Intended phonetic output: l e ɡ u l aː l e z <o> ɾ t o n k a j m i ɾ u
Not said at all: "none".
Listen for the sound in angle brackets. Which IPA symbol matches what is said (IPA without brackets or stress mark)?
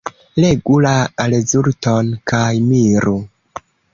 u